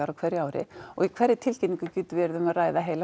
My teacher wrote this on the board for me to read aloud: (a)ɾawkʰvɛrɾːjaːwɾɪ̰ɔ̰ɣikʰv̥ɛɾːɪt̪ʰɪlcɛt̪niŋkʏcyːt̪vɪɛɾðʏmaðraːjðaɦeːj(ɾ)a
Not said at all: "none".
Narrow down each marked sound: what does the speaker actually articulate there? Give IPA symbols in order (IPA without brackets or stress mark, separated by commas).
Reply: a, l